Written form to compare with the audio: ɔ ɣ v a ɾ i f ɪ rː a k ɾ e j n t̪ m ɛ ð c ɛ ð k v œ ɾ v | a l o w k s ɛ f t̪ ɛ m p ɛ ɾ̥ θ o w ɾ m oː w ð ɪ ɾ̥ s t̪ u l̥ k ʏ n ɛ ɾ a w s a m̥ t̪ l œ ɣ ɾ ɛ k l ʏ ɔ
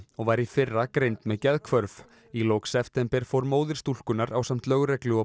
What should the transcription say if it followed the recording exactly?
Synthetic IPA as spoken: ɔ ɣ v a ɾ i f ɪ rː a k ɾ e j n t̪ m ɛ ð c ɛ ð kʰ v œ ɾ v | i l o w k s ɛ f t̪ ɛ m p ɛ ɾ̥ f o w ɾ m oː w ð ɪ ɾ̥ s t̪ u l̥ k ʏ n a ɾ a w s a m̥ t̪ l œ ɣ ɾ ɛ k l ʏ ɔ